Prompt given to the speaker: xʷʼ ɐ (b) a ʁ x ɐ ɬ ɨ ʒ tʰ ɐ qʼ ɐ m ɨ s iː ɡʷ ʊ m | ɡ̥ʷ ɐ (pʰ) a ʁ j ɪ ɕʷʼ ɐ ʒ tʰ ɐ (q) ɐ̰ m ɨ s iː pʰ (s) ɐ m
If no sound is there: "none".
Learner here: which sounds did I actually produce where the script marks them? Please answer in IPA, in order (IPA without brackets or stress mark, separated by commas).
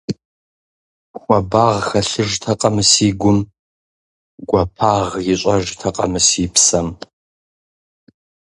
b, pʰ, qʼ, s